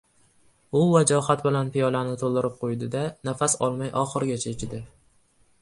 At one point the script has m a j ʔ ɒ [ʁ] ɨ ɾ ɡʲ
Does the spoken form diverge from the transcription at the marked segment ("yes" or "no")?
yes